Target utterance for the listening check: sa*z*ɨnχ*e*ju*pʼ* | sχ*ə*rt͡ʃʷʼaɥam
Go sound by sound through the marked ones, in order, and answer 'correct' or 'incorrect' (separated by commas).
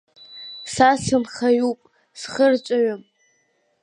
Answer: incorrect, incorrect, correct, correct